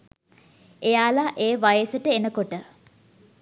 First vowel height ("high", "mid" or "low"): mid